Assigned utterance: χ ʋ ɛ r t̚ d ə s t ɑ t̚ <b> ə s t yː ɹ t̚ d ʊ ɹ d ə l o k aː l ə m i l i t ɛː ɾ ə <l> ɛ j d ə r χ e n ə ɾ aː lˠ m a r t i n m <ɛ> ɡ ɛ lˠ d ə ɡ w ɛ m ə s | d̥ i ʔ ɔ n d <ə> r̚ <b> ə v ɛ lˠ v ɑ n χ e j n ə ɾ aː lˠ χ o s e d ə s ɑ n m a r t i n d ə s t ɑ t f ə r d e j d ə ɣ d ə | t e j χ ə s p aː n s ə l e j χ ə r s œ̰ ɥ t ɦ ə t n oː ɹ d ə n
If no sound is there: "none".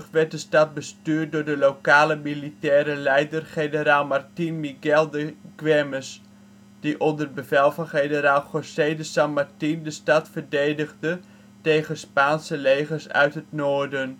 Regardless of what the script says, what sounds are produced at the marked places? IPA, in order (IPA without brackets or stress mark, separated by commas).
b, l, i, ə, b